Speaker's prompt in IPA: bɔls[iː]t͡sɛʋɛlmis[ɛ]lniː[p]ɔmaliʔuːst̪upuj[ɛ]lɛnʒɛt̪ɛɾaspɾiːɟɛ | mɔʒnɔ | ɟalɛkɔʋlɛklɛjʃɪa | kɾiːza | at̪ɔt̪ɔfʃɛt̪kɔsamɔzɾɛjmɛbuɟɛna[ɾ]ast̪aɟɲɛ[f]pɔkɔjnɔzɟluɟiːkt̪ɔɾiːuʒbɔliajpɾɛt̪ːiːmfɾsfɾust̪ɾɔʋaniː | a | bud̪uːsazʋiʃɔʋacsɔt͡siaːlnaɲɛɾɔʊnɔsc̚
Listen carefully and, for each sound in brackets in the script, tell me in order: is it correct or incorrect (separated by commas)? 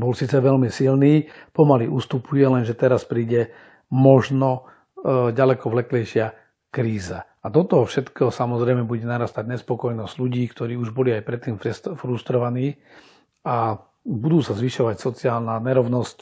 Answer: correct, incorrect, correct, correct, correct, incorrect